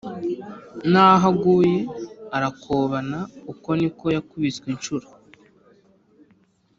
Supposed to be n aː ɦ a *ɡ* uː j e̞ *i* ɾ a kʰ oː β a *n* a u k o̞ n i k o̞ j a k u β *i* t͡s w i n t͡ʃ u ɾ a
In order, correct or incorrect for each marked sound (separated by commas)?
correct, incorrect, correct, correct